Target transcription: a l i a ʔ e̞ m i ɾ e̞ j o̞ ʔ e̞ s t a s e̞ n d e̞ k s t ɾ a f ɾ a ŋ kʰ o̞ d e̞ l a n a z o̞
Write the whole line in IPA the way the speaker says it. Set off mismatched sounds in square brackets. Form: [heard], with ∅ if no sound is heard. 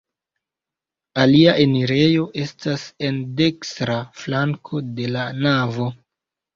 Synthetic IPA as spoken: a l i a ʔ e̞ [n] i ɾ e̞ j o̞ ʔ e̞ s t a s e̞ n d e̞ k s t ɾ a f [l] a ŋ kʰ o̞ d e̞ l a n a [v] o̞